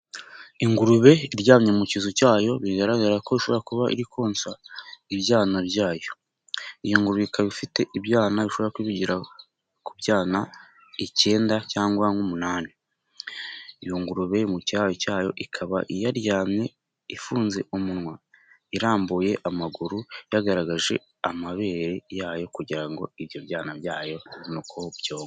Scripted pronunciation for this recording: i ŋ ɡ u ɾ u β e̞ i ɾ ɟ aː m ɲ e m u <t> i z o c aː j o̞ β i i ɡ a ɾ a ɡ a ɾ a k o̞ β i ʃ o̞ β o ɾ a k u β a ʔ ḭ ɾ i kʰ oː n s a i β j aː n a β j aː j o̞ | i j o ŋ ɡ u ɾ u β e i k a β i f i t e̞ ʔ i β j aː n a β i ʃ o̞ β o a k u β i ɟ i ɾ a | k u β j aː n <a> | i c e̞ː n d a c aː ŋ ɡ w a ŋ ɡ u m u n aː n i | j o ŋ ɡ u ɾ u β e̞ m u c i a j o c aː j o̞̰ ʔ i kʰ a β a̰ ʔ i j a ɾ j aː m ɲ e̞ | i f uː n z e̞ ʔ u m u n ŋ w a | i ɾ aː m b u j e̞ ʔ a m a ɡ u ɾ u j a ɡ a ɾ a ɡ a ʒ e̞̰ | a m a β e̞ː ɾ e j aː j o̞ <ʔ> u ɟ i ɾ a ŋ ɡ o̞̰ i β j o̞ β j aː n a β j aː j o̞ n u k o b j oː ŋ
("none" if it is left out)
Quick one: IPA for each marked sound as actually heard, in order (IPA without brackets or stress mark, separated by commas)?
c, a, k